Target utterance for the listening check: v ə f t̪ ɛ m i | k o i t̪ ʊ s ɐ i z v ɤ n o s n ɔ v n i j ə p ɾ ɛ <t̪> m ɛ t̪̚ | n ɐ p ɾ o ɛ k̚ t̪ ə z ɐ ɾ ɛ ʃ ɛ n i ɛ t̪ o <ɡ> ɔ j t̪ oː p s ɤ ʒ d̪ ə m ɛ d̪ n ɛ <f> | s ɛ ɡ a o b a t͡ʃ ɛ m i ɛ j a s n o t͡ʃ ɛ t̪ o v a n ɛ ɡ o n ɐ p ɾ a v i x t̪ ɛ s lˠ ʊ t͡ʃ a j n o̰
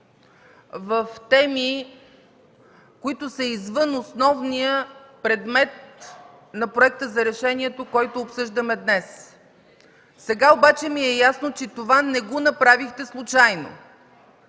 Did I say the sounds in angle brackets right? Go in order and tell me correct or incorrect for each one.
incorrect, incorrect, incorrect

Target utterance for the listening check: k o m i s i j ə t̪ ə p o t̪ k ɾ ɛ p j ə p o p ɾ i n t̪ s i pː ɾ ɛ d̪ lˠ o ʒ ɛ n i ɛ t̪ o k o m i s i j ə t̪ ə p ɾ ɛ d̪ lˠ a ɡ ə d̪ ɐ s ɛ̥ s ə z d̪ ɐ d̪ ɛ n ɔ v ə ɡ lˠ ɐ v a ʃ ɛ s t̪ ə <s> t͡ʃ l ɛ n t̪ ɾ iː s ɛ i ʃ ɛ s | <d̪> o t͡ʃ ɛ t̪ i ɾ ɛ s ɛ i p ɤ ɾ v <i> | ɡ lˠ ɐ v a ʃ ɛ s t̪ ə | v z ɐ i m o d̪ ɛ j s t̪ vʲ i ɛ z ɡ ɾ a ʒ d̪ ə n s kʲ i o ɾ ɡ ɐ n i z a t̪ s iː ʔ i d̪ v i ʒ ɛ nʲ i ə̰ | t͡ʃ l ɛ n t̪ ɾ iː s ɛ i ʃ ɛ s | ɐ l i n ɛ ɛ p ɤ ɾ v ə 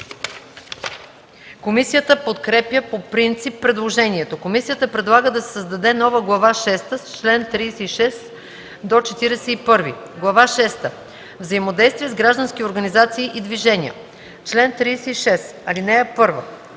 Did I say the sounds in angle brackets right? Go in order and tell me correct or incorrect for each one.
correct, correct, correct

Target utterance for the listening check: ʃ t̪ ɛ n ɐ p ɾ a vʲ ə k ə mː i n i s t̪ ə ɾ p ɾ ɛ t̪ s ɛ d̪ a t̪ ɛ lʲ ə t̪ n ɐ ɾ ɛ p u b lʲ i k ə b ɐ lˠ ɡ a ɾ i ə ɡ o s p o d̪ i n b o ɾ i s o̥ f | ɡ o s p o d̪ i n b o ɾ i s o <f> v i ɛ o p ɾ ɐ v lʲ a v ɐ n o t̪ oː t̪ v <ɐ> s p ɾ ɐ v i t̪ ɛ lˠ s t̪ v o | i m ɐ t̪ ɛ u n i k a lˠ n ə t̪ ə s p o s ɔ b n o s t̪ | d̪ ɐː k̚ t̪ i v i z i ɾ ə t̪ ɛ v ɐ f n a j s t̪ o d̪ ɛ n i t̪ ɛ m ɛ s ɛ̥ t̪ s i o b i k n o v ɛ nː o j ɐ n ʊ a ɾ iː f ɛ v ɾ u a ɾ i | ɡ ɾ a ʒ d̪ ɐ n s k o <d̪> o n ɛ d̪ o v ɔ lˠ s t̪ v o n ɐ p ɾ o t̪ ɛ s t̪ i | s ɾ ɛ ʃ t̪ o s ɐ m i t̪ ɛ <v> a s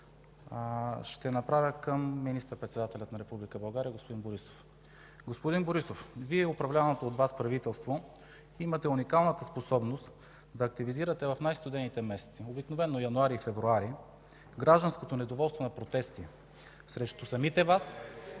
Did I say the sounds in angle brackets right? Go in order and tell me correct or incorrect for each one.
correct, incorrect, incorrect, correct

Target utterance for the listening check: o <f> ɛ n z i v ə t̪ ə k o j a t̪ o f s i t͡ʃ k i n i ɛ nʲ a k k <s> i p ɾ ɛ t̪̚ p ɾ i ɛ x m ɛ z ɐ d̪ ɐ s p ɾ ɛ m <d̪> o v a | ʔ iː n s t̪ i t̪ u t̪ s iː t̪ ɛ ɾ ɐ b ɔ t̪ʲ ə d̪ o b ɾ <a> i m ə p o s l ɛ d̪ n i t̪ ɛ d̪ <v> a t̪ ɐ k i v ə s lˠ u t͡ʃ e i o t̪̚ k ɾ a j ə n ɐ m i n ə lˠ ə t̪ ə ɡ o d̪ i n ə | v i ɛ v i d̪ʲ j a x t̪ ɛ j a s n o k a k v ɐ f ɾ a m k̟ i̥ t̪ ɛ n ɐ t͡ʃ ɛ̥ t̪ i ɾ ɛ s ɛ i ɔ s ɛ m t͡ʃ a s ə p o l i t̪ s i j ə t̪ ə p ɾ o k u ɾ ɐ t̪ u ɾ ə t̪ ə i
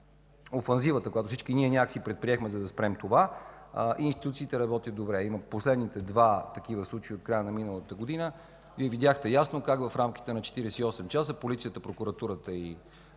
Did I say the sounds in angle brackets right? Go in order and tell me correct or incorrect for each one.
correct, correct, incorrect, incorrect, correct

